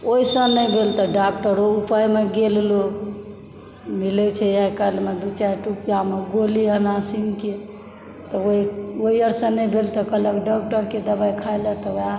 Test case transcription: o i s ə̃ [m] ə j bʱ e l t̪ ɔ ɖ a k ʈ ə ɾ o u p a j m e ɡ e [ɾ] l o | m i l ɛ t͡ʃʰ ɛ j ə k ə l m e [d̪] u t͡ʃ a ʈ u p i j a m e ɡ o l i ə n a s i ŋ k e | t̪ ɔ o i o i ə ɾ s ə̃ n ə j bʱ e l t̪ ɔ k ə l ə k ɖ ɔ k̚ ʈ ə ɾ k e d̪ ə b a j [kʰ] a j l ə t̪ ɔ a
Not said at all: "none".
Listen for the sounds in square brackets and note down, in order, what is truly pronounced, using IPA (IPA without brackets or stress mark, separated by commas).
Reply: n, l, d̪, kʰ